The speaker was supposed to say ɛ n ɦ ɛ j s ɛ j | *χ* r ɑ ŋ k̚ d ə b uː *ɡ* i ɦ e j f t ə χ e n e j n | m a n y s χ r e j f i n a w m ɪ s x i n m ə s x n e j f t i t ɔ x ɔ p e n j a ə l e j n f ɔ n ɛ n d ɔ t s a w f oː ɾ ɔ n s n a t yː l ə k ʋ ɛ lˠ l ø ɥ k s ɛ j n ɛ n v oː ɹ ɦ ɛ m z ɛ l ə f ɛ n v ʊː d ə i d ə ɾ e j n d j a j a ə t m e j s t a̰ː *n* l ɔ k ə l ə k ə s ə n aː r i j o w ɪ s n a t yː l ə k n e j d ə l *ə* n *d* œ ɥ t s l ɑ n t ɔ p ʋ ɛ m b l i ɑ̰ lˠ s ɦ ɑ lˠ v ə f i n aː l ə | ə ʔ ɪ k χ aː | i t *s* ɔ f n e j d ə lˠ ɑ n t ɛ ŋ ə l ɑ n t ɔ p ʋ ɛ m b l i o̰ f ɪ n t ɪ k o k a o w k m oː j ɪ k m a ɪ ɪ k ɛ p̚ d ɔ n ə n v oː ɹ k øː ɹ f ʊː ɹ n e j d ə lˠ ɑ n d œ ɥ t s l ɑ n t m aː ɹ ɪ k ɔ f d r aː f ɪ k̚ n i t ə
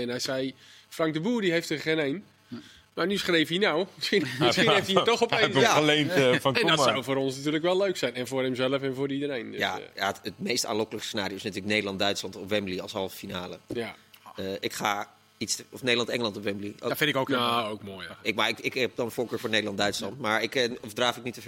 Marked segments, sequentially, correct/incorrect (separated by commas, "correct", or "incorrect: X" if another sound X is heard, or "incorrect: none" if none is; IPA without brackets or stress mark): incorrect: f, incorrect: d, correct, incorrect: ɑ, correct, correct